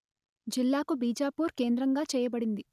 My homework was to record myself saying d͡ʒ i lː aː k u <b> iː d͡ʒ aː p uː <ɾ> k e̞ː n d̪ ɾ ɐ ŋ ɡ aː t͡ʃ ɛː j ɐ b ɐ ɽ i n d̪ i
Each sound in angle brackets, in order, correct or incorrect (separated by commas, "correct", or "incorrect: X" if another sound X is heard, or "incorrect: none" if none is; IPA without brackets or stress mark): correct, correct